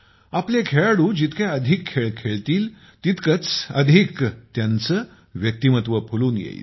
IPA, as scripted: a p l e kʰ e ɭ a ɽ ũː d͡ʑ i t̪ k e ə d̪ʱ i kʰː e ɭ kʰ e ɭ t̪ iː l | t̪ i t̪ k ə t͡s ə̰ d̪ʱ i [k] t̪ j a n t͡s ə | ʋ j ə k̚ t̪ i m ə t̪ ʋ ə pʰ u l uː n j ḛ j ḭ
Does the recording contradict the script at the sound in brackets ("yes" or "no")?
no